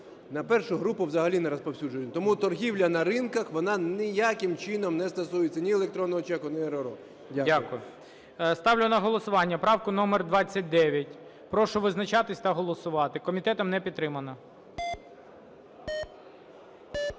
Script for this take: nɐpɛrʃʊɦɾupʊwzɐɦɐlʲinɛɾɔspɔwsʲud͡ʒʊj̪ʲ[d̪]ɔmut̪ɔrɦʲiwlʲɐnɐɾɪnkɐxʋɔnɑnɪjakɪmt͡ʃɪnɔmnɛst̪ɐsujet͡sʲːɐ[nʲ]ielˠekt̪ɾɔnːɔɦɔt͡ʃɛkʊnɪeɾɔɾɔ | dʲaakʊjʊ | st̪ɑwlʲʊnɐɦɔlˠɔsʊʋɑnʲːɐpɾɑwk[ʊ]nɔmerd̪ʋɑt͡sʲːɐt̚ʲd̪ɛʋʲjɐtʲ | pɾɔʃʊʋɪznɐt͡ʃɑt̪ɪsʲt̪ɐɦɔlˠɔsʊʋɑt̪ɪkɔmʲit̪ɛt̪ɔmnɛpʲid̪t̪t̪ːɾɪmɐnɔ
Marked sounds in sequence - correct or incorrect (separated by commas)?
incorrect, correct, correct